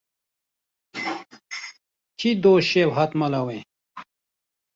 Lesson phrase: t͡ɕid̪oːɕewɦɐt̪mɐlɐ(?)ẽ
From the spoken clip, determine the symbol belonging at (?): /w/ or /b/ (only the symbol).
w